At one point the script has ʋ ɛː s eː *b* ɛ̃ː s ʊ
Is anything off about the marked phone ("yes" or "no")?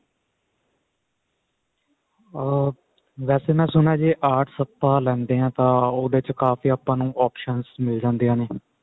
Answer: yes